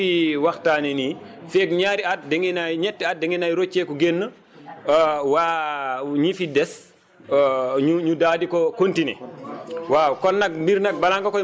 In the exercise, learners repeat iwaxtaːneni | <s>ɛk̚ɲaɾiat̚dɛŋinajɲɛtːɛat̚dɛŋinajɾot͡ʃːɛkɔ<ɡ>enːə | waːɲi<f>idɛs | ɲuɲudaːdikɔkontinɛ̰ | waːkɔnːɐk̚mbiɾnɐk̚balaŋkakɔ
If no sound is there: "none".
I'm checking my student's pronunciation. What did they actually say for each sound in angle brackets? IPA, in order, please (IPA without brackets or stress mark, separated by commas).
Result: f, ɡ, f